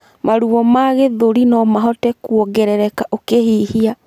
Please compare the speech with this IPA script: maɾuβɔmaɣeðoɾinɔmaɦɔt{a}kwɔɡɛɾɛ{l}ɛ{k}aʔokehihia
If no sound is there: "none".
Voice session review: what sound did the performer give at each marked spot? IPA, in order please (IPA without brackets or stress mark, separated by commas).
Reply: ɛ, ɾ, k